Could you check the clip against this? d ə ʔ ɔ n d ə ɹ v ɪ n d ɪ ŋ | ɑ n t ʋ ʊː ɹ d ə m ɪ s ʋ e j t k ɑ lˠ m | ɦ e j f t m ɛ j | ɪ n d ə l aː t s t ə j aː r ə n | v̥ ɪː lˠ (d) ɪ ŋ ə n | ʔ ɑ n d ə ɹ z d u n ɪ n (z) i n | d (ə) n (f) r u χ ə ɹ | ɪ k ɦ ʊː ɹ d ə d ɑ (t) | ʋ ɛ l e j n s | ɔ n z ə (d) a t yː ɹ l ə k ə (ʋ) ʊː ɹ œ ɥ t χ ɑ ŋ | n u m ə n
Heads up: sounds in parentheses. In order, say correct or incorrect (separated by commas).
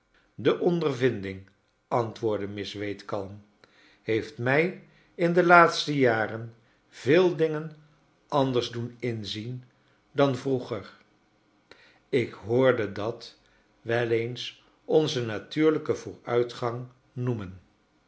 correct, correct, incorrect, incorrect, correct, incorrect, incorrect